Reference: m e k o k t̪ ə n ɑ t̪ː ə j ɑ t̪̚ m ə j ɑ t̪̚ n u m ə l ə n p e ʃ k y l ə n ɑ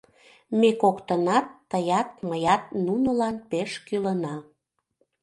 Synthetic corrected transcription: m e k o k t̪ ə n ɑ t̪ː ə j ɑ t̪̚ m ə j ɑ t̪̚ n u n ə l ɑ n p e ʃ k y l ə n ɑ